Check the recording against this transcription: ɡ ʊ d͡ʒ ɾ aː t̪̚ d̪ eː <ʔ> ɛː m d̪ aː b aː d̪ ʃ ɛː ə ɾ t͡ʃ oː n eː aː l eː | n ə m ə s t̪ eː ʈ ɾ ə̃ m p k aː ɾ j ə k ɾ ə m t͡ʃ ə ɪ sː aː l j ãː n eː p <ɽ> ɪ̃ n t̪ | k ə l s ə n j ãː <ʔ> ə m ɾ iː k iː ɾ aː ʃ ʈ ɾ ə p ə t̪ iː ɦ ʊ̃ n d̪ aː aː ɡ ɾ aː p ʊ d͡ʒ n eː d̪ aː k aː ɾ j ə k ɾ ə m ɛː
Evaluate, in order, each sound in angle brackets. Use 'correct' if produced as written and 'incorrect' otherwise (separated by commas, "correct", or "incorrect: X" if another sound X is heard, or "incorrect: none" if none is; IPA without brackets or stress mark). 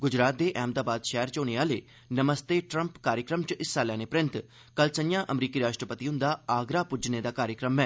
correct, incorrect: ɾ, correct